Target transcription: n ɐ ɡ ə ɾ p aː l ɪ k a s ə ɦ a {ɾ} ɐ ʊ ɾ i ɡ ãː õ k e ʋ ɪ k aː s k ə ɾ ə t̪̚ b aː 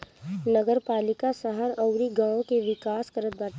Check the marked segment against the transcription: correct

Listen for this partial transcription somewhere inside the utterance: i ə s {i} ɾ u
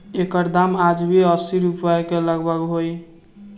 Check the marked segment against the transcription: correct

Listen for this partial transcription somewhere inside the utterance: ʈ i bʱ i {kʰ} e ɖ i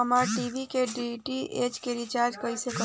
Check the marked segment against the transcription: incorrect: k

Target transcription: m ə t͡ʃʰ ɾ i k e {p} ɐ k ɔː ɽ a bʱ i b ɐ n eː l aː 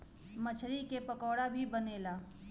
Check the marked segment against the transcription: correct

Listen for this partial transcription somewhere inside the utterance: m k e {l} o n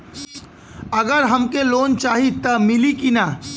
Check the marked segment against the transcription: correct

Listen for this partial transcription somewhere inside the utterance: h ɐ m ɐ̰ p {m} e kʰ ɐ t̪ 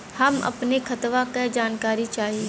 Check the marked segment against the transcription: incorrect: n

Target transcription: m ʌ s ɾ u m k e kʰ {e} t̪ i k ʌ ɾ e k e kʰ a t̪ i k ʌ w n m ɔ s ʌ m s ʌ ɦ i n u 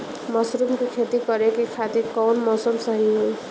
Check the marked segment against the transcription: correct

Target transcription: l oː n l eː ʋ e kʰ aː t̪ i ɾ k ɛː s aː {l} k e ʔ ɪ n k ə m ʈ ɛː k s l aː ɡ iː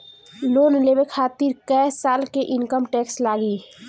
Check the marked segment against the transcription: correct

